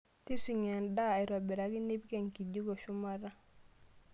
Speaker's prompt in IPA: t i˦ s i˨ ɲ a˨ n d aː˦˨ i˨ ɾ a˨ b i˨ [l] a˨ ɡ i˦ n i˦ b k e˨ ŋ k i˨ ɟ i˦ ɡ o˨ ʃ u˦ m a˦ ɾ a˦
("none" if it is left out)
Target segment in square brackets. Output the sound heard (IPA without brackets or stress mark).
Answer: ɾ